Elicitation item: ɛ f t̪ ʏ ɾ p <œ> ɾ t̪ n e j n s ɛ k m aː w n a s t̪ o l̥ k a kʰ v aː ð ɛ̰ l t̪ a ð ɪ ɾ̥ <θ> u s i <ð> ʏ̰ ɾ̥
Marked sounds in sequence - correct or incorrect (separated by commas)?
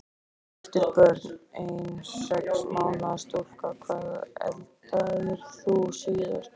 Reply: correct, correct, correct